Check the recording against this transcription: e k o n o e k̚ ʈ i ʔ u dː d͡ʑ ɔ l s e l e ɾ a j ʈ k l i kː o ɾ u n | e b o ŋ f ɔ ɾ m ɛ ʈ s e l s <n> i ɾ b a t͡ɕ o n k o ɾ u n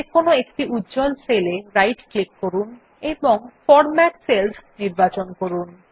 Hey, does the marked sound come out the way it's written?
yes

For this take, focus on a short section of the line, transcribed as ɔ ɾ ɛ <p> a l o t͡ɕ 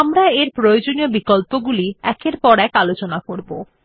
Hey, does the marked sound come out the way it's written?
no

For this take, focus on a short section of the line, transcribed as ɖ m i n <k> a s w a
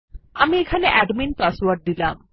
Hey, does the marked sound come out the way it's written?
no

